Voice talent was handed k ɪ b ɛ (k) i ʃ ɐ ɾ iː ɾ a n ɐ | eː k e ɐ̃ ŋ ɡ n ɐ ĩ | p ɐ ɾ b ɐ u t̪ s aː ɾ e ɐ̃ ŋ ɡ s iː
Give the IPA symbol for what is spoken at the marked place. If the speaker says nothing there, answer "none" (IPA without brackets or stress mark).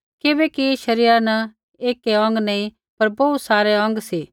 k